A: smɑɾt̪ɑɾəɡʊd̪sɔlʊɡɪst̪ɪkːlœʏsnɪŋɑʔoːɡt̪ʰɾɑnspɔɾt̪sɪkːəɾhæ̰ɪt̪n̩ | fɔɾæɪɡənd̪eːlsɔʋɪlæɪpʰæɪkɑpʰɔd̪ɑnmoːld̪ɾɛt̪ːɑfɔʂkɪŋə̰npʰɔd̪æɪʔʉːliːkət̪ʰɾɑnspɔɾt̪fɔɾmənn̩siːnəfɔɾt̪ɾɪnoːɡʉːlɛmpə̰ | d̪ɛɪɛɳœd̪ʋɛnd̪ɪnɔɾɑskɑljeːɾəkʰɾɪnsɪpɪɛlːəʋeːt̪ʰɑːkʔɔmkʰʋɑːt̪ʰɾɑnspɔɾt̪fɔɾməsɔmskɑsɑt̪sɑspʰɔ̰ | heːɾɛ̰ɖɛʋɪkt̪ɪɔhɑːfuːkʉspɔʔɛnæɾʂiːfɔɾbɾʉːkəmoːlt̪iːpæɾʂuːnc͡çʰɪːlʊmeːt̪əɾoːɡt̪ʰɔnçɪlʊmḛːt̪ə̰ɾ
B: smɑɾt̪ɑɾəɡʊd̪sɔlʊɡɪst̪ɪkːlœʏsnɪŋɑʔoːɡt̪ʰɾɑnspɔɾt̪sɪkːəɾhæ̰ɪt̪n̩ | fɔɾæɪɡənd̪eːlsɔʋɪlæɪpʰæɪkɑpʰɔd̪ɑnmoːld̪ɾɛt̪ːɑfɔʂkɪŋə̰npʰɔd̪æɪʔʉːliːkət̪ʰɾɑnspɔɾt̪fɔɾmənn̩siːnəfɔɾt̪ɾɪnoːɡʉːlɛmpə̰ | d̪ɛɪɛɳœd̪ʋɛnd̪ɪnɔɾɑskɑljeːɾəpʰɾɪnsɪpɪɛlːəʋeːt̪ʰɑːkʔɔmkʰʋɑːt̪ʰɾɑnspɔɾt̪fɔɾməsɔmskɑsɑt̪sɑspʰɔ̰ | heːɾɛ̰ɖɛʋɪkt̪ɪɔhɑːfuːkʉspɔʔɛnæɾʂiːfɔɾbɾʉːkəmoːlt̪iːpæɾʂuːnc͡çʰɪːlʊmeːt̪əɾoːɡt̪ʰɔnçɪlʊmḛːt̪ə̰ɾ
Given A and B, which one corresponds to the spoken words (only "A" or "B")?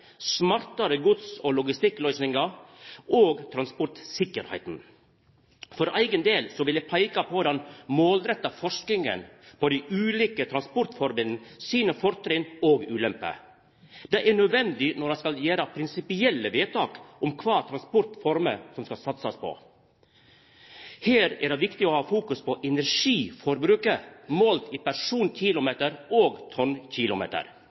B